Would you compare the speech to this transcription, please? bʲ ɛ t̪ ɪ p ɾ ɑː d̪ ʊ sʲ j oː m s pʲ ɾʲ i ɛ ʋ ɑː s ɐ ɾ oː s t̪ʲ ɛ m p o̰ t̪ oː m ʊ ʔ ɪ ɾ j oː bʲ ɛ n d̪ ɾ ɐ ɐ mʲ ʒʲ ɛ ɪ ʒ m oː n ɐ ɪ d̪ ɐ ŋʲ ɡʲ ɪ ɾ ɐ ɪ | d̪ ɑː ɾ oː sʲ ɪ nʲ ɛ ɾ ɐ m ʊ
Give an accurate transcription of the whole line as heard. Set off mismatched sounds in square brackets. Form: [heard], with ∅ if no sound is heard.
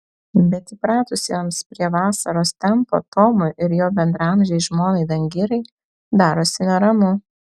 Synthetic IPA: bʲ ɛ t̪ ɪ p ɾ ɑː [t̪] ʊ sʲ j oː m s pʲ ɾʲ i ɛ ʋ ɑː s ɐ ɾ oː s t̪ʲ ɛ m p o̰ t̪ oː m ʊ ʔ ɪ ɾ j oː bʲ ɛ n d̪ ɾ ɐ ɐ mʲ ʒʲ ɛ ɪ ʒ m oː n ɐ ɪ d̪ ɐ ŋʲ ɡʲ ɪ ɾ ɐ ɪ | d̪ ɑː ɾ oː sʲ ɪ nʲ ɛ ɾ ɐ m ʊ

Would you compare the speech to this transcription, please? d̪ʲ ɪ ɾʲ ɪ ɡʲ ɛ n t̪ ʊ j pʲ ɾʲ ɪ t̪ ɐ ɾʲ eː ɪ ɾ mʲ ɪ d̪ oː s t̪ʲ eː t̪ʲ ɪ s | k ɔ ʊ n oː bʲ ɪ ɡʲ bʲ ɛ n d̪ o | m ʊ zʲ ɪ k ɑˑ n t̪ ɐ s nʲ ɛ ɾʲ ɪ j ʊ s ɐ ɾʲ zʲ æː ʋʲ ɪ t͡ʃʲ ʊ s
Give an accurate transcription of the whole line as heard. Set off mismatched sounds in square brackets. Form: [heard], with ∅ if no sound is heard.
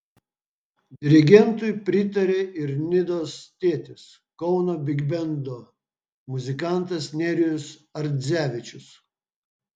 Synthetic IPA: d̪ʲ ɪ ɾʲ ɪ ɡʲ ɛ n t̪ ʊ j pʲ ɾʲ ɪ t̪ ɐ ɾʲ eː ɪ ɾ [nʲ] ɪ d̪ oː s t̪ʲ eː t̪ʲ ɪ s | k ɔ ʊ n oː bʲ ɪ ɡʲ bʲ ɛ n d̪ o | m ʊ zʲ ɪ k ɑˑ n t̪ ɐ s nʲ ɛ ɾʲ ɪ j ʊ s ɐ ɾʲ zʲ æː ʋʲ ɪ t͡ʃʲ ʊ s

